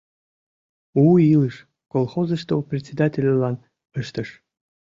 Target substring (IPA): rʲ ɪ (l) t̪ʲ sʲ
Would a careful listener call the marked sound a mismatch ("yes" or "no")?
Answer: yes